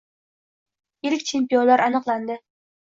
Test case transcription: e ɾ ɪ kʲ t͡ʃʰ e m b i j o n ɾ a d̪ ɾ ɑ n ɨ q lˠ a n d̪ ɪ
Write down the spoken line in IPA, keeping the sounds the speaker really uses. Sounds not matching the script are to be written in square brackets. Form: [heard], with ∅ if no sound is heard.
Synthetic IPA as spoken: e ɾ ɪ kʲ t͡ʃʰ e m [p] i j o n [l] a [∅] ɾ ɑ n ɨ q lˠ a n d̪ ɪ